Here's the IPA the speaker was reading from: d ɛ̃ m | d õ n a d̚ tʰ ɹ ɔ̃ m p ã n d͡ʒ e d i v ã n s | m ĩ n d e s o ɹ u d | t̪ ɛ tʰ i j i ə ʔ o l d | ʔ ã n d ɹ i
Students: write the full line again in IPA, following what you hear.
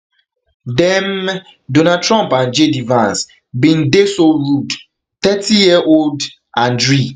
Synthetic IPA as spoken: d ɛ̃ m | d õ n a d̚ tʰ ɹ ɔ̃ m p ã n d͡ʒ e d i v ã n s | b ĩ n d e s o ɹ u d | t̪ ɛ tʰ i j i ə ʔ o l d | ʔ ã n d ɹ i